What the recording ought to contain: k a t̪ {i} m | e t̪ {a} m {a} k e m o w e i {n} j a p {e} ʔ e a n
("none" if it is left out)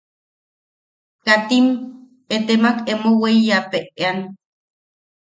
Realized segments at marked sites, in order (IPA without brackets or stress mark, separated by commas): i, e, a, none, e